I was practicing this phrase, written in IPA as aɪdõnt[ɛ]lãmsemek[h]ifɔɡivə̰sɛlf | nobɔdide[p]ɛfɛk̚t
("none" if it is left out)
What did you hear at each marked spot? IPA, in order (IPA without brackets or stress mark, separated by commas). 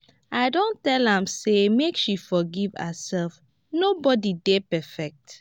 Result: ɛ, ʃ, p